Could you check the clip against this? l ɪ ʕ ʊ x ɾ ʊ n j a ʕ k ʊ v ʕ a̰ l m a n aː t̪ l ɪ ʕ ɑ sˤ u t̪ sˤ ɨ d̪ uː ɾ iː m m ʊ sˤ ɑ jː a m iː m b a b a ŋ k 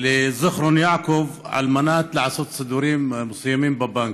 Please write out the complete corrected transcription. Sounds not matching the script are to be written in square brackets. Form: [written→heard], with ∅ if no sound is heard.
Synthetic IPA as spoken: l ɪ [ʕ→z] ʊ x ɾ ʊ n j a ʕ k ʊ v ʕ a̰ l m a n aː t̪ l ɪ ʕ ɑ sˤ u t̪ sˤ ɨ d̪ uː ɾ iː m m ʊ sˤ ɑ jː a m iː m b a b a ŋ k